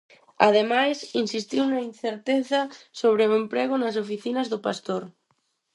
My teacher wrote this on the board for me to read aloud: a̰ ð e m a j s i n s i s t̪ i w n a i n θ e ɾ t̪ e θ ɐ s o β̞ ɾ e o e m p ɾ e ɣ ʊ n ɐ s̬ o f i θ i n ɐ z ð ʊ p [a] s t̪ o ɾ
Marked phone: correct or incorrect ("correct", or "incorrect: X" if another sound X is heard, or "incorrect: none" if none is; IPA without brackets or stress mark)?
correct